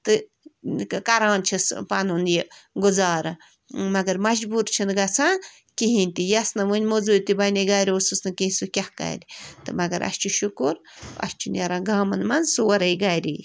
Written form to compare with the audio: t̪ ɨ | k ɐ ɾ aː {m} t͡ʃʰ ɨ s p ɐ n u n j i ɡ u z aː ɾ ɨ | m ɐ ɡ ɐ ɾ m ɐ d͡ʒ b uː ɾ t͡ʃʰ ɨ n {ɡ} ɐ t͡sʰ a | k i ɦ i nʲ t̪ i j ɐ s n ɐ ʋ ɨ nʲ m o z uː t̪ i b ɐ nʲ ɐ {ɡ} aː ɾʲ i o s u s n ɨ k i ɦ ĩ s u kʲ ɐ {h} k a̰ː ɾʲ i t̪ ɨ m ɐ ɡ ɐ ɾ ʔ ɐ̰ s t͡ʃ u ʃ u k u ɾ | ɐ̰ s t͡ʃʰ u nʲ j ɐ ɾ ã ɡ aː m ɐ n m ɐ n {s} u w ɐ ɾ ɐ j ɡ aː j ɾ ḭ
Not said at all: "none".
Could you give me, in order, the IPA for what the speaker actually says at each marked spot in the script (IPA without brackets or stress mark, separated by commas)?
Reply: n, ɡ, ɡ, h, s